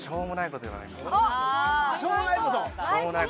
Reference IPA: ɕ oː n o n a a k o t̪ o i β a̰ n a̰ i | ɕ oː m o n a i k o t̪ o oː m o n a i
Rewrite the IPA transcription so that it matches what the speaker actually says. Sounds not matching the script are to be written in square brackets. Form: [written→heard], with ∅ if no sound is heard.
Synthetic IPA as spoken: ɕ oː [n→m] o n a [a→i] k o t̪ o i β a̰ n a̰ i | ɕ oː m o n a i k o t̪ o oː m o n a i